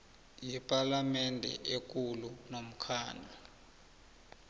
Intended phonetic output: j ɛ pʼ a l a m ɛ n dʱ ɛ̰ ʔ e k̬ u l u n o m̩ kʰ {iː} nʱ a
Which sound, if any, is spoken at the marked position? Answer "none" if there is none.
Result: aː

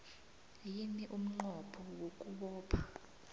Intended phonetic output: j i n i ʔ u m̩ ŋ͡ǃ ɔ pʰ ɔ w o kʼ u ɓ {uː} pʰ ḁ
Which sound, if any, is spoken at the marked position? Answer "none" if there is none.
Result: ɔː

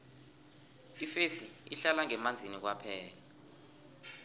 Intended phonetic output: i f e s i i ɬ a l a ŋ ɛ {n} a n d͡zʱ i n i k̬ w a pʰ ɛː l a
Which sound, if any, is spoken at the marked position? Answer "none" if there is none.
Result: m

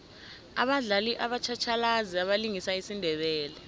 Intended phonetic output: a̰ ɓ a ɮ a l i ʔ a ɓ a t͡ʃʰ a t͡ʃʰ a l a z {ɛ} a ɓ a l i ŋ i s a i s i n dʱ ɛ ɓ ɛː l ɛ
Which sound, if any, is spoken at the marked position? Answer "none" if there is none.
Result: i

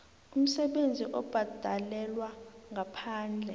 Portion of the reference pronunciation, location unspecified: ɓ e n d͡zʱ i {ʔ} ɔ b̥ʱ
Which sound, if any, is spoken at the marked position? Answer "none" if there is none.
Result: ʔ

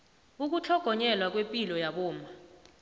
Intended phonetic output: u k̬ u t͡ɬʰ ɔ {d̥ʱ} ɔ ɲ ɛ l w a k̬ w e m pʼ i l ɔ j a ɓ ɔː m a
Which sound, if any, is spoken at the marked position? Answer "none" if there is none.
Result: ɡ̥ʱ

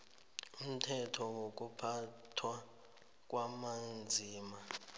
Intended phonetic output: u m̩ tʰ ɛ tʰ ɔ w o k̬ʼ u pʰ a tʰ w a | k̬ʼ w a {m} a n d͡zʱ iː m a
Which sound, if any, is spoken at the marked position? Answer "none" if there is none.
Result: m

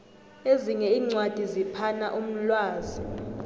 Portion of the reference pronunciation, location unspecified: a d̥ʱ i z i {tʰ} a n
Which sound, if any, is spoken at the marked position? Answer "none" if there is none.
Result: pʰ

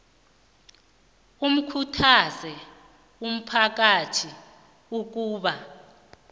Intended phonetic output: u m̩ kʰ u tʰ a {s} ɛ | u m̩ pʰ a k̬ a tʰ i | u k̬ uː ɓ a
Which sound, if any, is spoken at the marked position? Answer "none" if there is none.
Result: z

